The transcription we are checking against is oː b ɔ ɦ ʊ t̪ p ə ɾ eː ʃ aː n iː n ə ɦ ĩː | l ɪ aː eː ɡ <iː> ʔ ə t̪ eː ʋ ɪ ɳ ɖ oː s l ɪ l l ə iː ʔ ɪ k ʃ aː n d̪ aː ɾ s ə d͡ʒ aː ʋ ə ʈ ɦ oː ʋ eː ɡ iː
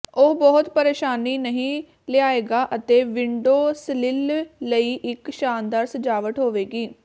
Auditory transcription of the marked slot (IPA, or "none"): aː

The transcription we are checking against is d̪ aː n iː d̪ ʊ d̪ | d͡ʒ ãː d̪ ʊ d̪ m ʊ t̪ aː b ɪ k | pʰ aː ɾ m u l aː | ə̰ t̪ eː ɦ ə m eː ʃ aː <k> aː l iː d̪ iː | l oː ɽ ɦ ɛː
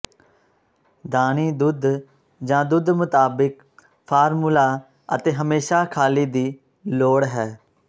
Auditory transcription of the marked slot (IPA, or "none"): kʰ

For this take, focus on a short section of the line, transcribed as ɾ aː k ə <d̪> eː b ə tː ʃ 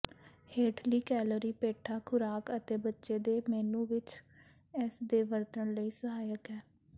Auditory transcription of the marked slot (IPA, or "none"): t̪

